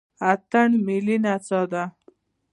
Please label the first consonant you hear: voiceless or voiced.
voiceless